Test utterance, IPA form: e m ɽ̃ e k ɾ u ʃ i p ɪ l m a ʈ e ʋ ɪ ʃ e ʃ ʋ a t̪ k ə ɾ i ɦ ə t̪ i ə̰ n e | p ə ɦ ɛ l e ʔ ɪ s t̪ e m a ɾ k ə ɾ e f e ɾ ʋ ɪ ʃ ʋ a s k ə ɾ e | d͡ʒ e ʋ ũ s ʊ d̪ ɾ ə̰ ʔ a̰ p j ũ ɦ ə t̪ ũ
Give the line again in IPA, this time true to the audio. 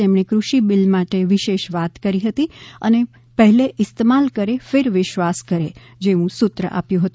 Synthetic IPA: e m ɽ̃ e k ɾ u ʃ i b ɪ l m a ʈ e ʋ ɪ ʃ e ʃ ʋ a t̪ k ə ɾ i ɦ ə t̪ i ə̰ n e | p ə ɦ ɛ l e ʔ ɪ s t̪ e m a l k ə ɾ e f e ɾ ʋ ɪ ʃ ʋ a s k ə ɾ e | d͡ʒ e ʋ ũ s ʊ t̪ ɾ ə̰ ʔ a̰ p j ũ ɦ ə t̪ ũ